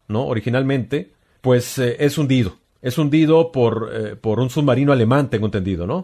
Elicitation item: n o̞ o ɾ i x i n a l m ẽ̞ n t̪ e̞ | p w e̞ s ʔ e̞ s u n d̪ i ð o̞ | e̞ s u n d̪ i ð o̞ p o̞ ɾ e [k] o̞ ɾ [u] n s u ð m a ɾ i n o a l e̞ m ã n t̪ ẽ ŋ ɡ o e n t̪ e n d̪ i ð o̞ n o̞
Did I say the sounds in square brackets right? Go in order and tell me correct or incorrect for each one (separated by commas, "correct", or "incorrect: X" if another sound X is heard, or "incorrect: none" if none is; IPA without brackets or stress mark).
incorrect: p, correct